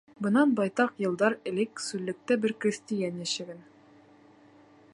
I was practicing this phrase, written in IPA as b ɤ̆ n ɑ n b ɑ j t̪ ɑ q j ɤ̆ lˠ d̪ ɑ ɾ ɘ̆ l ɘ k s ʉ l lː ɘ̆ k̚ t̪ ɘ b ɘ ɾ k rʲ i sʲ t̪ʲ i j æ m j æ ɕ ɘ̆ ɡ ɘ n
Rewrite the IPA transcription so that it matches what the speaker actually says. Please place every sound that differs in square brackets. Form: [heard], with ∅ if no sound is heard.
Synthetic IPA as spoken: b ɤ̆ n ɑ n b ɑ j t̪ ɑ q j ɤ̆ lˠ d̪ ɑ ɾ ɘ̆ l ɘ k s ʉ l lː ɘ̆ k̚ t̪ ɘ b ɘ ɾ k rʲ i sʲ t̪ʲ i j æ [n] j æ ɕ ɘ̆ ɡ ɘ n